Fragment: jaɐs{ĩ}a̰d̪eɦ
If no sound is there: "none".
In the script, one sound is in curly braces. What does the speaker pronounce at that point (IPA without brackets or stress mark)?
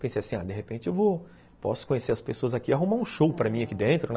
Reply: ĩ